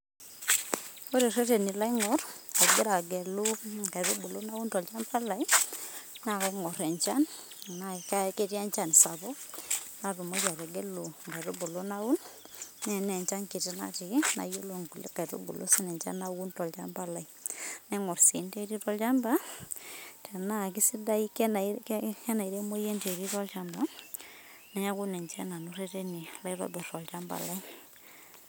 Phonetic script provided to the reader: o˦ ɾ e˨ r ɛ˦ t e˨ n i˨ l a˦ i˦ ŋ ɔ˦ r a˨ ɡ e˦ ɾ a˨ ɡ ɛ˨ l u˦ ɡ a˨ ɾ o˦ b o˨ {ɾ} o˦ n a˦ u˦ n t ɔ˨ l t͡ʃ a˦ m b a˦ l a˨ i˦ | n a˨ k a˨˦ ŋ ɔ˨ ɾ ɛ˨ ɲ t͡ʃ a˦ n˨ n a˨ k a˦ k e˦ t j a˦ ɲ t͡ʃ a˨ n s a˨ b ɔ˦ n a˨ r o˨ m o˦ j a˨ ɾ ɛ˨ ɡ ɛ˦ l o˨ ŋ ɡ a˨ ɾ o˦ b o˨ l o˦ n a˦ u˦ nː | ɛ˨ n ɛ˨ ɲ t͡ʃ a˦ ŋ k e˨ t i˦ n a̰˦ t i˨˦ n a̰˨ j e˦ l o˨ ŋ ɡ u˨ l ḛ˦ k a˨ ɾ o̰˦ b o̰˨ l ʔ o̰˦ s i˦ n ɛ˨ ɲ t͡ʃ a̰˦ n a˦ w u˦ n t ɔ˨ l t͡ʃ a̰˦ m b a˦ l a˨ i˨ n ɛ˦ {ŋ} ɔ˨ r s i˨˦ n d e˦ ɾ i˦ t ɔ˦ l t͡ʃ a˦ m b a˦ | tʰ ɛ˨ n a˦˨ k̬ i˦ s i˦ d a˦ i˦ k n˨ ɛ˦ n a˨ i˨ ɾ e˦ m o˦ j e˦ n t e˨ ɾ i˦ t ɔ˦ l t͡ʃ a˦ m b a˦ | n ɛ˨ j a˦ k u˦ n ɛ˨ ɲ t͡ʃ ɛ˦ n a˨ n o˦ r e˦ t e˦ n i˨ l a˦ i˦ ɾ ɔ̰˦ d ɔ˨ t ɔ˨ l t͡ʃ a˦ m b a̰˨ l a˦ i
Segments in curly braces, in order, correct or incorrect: incorrect: l, correct

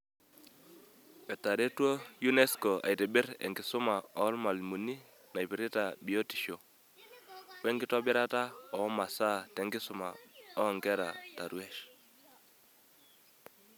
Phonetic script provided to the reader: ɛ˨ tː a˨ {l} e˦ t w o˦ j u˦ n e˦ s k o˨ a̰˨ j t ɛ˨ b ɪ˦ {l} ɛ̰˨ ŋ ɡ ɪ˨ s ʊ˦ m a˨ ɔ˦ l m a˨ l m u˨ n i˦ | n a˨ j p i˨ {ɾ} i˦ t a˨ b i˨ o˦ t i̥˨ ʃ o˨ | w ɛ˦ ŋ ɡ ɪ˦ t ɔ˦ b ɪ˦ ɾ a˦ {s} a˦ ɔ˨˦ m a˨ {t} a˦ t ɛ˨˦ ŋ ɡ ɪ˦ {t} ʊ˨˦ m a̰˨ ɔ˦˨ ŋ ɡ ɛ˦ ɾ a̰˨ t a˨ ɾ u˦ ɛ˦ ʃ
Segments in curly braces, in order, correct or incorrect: incorrect: ɾ, incorrect: ɾ, correct, incorrect: t, incorrect: s, incorrect: s

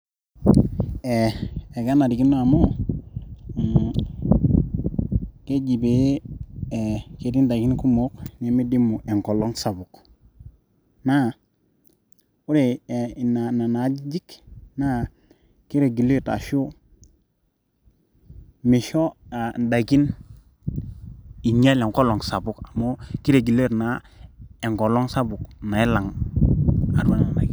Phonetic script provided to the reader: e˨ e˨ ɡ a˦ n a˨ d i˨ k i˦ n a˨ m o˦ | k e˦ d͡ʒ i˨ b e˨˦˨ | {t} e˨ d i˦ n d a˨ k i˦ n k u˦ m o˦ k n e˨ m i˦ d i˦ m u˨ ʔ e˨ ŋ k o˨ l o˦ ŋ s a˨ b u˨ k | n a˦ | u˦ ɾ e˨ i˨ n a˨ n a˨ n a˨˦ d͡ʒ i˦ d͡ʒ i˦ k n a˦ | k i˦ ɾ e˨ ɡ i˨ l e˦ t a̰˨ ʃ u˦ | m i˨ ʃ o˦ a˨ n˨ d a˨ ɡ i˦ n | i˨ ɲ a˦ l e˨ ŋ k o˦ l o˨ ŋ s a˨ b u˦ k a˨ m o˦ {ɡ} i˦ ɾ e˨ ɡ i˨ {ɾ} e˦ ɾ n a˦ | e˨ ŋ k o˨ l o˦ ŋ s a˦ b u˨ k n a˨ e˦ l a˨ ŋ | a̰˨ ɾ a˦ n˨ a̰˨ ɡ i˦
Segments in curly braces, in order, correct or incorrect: incorrect: k, incorrect: k, incorrect: l

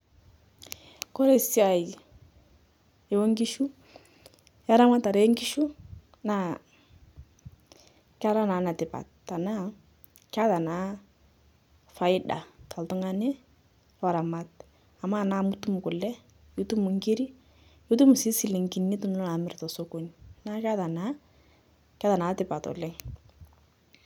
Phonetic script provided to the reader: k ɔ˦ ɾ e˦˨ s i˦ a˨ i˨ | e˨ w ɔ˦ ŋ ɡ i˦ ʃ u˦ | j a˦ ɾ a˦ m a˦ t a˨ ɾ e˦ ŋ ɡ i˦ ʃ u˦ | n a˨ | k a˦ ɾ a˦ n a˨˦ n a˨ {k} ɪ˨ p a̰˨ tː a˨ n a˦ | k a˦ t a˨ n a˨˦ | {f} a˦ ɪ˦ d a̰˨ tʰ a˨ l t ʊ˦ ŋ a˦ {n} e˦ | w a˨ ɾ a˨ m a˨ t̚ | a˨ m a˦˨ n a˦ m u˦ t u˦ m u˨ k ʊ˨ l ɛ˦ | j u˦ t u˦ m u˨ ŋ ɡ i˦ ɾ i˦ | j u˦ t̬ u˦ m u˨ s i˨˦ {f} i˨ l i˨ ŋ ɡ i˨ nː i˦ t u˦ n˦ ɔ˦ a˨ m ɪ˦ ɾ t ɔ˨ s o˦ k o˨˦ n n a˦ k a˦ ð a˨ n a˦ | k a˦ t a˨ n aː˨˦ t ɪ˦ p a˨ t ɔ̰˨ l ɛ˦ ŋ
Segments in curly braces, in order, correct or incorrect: incorrect: t, correct, correct, incorrect: s

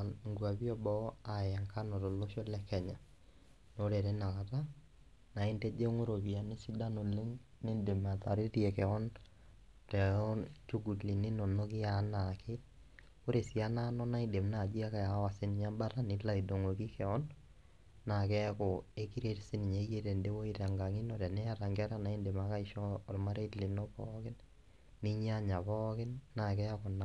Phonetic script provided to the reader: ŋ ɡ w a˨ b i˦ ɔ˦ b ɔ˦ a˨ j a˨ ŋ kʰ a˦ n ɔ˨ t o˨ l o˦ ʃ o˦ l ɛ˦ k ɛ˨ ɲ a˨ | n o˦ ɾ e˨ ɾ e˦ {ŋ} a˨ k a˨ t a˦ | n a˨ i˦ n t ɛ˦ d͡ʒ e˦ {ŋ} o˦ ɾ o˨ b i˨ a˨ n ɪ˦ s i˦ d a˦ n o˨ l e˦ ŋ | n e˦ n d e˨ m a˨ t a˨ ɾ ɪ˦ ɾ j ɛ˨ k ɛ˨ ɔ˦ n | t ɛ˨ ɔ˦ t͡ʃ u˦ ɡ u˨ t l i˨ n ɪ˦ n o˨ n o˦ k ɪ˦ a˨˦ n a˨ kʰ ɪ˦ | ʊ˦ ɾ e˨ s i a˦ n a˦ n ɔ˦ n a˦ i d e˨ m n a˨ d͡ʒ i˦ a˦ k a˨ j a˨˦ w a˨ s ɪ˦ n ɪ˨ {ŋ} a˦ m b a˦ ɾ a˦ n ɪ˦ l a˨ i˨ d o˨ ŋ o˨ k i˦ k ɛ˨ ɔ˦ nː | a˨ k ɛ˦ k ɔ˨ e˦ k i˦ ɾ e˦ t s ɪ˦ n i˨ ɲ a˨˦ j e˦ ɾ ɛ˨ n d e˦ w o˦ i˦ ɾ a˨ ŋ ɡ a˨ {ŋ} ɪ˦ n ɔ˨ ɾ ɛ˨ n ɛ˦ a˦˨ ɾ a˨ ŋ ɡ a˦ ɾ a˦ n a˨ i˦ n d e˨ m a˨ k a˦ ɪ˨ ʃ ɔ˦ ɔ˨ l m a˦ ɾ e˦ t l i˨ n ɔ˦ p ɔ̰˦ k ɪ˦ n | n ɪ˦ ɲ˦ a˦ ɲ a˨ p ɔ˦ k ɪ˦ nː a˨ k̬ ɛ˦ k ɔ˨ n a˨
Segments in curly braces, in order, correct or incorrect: incorrect: n, correct, incorrect: ɲ, correct

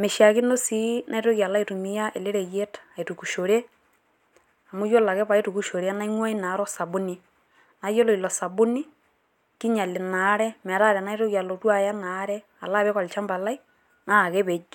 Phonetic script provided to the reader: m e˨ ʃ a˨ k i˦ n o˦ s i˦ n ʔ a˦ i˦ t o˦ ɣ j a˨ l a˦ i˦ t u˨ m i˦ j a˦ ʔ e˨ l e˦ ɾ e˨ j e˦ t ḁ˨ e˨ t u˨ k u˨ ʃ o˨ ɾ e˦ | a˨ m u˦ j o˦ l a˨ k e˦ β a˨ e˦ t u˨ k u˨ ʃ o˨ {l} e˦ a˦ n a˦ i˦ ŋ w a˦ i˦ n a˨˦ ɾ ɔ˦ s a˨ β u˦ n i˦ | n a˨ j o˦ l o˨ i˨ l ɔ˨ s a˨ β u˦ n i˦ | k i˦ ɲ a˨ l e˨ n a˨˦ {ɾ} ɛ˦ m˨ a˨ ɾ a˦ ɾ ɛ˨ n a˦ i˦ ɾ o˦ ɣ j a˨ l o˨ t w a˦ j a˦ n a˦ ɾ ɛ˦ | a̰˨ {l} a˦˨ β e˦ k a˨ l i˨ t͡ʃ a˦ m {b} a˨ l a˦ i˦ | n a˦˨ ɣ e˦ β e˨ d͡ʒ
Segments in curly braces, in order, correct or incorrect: incorrect: ɾ, correct, correct, correct

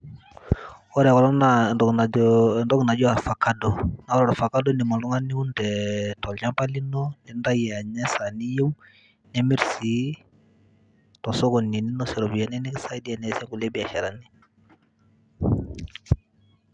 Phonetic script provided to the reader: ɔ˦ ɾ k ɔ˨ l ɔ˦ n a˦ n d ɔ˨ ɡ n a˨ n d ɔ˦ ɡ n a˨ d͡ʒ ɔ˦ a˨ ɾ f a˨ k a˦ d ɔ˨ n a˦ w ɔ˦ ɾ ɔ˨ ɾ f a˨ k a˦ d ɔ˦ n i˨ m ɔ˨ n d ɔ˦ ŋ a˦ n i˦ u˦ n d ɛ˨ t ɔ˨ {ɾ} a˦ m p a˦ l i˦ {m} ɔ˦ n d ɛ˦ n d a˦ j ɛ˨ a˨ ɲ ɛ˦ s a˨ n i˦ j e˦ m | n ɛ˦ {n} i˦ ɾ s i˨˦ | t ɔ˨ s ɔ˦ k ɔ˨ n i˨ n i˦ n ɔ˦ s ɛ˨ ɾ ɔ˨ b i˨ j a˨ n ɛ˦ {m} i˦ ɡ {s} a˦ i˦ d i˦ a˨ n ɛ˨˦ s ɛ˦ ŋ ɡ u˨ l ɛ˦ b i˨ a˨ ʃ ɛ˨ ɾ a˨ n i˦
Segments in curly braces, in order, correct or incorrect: incorrect: l, incorrect: n, incorrect: m, incorrect: n, correct

